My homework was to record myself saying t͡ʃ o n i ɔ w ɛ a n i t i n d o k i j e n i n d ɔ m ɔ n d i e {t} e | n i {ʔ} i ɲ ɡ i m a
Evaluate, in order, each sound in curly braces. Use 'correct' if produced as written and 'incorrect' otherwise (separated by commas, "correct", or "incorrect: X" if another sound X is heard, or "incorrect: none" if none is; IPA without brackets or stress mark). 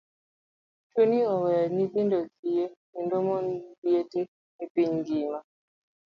correct, incorrect: p